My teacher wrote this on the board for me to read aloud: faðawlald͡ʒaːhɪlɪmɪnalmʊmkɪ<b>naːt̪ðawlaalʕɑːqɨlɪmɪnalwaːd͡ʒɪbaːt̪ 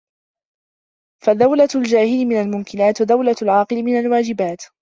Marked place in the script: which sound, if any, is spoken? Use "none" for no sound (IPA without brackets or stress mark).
none